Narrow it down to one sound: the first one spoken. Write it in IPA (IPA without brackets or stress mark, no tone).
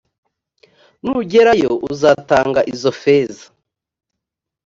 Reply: n